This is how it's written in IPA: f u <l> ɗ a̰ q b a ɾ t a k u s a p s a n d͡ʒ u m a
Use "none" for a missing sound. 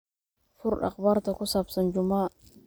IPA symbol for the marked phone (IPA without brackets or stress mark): ɾ